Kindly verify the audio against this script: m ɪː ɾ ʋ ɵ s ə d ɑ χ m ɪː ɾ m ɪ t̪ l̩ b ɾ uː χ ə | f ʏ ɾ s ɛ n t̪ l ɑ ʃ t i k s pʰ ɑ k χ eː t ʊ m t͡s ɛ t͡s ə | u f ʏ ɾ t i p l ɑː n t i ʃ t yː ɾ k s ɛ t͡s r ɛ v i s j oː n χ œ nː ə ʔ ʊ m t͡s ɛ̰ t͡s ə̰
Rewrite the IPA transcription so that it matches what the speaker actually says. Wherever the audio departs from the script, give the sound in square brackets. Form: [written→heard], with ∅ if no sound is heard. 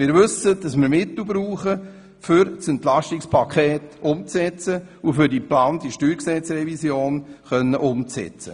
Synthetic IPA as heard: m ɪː ɾ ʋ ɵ s ə d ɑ [χ→s] m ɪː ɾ m ɪ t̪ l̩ b ɾ uː χ ə | f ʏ ɾ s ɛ n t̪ l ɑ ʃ t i k s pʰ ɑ k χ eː t ʊ m t͡s ɛ t͡s ə | u f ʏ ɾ [t→d] i p l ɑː n t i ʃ t yː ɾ k s ɛ t͡s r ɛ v i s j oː n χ œ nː ə ʔ ʊ m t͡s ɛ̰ t͡s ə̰